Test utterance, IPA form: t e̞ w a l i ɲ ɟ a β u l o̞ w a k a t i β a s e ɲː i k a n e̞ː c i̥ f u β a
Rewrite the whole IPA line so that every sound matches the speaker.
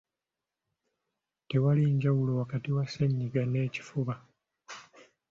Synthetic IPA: t e̞ w a l i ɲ ɟ a w u l o̞ w a k a t i w a s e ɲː i ɡ a n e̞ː c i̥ f u β a